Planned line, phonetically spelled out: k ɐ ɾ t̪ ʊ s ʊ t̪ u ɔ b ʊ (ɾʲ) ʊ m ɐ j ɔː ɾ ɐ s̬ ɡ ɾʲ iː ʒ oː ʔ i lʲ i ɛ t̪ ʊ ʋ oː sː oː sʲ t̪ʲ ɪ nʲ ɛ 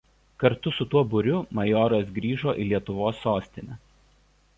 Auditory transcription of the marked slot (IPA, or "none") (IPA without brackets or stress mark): ɾʲ